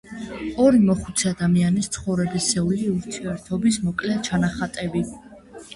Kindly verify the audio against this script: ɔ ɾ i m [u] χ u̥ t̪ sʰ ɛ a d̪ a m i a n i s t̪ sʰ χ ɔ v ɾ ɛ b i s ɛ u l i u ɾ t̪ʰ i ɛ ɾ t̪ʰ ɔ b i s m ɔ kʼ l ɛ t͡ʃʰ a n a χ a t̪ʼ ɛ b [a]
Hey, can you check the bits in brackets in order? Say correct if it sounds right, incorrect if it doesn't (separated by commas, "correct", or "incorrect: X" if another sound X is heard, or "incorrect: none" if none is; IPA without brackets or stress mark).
incorrect: ɔ, incorrect: i